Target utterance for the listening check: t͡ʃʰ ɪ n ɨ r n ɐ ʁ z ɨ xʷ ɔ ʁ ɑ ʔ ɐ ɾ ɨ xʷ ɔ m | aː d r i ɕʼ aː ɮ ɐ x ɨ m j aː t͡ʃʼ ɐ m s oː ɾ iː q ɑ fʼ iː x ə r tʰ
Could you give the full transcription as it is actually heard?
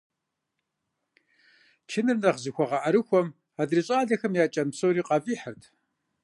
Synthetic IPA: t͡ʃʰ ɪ n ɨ r n ɐ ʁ z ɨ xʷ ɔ ʁ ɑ ʔ ɐ ɾ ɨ xʷ ɔ m | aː d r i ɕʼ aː ɮ ɐ x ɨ m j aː t͡ʃʼ ɐ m s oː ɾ iː q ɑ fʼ iː ħ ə r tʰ

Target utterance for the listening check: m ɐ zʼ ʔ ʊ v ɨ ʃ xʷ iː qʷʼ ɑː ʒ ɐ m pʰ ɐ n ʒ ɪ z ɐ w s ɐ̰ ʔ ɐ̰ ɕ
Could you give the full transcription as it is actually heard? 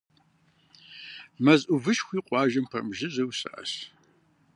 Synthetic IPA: m ɐ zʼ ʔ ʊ v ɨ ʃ xʷ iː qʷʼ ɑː ʒ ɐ m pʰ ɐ m ʒ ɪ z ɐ w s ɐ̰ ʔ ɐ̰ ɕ

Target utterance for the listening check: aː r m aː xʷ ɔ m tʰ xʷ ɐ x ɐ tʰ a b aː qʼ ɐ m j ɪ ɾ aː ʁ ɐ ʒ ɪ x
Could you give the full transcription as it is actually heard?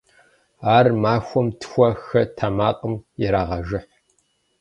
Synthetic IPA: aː r m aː xʷ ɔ m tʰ xʷ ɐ x ɐ tʰ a m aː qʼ ə m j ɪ ɾ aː ʁ ɐ ʒ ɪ ħ

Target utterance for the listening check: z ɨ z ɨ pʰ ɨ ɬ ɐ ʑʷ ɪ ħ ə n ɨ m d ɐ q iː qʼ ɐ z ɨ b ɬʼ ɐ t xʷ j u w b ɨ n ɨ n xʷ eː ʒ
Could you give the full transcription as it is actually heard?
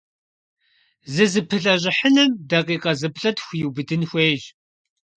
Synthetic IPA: z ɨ z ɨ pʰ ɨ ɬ ɐ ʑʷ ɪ ħ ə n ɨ m d ɐ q iː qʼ ɐ z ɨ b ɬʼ ɐ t xʷ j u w b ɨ d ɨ n xʷ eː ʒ

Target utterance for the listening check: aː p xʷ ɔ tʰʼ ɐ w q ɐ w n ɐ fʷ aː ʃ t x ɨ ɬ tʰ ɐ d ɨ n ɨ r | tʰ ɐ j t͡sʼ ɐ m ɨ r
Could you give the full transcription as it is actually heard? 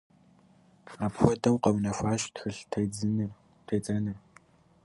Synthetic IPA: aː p xʷ ɔ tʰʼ ɐ w q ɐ w n ɐ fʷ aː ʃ t x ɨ ɬ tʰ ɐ d͡z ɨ n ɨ r | tʰ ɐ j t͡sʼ ɐ n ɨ r

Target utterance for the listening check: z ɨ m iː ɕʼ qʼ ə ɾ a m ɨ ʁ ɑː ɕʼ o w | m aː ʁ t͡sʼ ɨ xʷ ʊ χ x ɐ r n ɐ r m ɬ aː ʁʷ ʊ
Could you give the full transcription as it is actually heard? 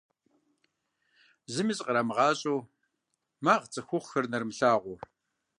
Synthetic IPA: z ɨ m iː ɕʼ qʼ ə ɾ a m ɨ ʁ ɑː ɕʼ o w | m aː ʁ t͡sʼ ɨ xʷ ʊ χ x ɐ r n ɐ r m ɬ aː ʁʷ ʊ

